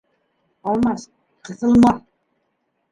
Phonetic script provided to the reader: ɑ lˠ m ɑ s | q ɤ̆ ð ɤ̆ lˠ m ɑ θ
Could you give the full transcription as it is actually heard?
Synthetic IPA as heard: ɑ lˠ m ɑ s | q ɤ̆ θ ɤ̆ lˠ m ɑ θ